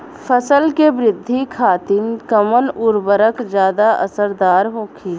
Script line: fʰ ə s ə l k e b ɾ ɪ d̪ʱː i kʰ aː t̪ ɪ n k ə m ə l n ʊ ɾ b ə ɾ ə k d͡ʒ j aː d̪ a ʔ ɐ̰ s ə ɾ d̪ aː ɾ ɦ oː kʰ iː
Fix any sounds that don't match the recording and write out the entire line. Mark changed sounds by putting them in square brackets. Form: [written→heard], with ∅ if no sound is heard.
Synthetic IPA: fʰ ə s ə l k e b ɾ ɪ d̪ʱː i kʰ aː t̪ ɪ n k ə m ə [l→∅] n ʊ ɾ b ə ɾ ə k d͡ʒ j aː d̪ a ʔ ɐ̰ s ə ɾ d̪ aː ɾ ɦ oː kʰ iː